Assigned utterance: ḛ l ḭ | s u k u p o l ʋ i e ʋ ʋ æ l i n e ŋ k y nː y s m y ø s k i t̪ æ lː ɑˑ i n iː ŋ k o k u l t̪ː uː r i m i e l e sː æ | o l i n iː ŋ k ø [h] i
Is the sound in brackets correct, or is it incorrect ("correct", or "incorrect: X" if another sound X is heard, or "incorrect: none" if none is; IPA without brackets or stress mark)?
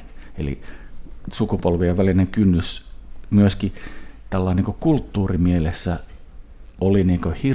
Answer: correct